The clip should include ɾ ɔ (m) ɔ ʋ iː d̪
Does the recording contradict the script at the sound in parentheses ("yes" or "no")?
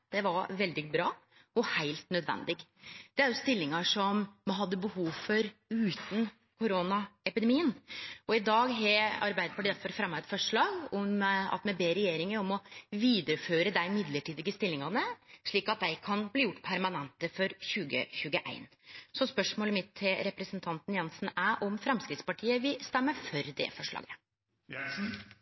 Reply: no